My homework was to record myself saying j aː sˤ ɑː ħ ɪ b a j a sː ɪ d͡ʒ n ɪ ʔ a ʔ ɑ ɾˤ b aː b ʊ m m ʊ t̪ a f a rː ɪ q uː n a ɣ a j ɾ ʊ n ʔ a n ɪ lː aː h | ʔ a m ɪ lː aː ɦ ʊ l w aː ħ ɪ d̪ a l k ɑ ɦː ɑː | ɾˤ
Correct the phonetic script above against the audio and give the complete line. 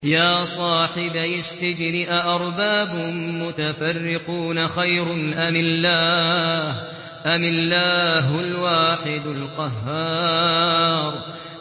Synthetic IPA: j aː sˤ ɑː ħ ɪ b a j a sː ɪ d͡ʒ n ɪ ʔ a ʔ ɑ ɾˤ b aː b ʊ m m ʊ t̪ a f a rː ɪ q uː n a x a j ɾ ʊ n ʔ a m ɪ lː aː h | ʔ a m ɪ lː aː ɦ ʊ l w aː ħ ɪ d̪ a l q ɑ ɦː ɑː | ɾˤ